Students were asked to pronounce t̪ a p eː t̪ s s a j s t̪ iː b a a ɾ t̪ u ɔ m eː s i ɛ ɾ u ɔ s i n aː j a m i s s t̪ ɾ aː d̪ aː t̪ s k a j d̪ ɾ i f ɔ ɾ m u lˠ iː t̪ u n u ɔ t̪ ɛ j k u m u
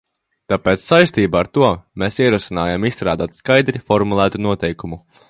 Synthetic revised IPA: t̪ a p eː t̪ s s a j s t̪ iː b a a ɾ t̪ u ɔ m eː s i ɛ ɾ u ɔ s i n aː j a m i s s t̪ ɾ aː d̪ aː t̪ s k a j d̪ ɾ i f ɔ ɾ m u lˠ æː t̪ u n u ɔ t̪ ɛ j k u m u